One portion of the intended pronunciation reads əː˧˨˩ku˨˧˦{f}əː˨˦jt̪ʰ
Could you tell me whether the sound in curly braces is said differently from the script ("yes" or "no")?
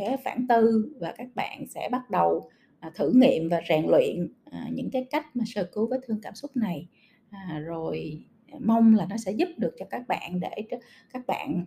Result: yes